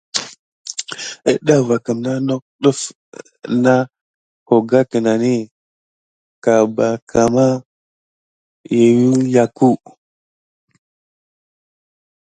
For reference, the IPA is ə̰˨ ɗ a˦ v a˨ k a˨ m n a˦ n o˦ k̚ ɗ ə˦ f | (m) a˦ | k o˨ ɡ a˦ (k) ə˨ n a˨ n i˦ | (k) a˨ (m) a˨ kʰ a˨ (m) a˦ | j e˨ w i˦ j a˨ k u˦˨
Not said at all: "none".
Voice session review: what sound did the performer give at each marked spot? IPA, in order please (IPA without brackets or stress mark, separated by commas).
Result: n, k, k, b, m